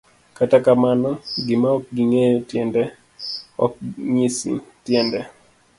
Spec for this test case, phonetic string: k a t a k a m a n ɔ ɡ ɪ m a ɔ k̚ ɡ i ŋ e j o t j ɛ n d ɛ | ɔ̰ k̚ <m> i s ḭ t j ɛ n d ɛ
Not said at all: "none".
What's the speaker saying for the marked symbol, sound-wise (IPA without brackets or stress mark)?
ɲ